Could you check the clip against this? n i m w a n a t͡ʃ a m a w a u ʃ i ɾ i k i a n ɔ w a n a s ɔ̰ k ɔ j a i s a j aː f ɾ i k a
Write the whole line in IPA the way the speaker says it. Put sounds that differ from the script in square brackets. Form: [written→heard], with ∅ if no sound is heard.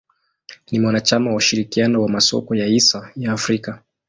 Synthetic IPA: n i m w a n a t͡ʃ a m a w a u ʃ i ɾ i k i a n ɔ w a [n→m] a s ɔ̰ k ɔ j a i s a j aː f ɾ i k a